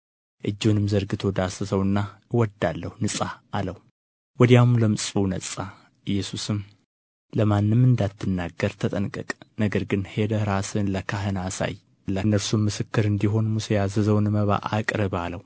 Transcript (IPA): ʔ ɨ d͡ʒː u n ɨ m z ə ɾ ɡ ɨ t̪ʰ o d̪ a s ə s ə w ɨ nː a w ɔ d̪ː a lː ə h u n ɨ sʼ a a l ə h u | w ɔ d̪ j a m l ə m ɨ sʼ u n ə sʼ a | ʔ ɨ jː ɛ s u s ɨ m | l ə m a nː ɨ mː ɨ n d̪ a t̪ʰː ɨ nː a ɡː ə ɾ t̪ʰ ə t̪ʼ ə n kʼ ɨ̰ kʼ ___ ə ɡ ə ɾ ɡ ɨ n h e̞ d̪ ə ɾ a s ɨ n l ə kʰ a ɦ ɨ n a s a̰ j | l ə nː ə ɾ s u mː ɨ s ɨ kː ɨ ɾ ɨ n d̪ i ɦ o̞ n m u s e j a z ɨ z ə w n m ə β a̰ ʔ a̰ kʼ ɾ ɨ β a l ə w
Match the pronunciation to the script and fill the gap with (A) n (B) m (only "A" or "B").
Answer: A